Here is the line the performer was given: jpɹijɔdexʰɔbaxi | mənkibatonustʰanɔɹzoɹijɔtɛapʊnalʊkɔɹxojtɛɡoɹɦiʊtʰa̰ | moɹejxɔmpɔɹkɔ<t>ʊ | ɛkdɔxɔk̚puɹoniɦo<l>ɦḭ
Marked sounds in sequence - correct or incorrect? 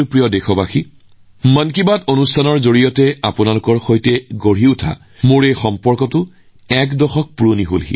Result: correct, correct

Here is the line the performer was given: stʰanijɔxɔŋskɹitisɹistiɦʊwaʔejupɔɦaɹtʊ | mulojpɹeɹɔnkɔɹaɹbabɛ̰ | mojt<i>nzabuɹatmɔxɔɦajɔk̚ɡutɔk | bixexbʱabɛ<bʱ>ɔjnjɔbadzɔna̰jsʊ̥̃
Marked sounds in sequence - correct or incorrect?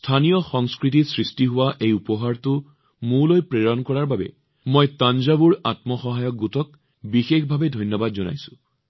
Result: incorrect, incorrect

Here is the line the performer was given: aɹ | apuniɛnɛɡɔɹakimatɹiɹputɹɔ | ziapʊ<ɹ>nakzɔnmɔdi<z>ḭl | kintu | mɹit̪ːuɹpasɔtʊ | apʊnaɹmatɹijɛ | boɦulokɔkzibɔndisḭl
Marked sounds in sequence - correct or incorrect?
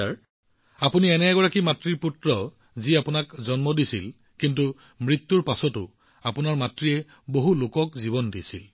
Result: incorrect, incorrect

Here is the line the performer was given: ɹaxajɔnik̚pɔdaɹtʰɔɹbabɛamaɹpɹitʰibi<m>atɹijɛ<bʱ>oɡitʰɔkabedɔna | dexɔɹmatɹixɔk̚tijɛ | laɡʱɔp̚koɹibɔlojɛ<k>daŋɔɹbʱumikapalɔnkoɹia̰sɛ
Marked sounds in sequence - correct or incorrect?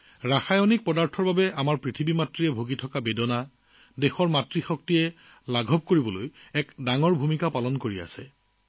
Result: correct, correct, correct

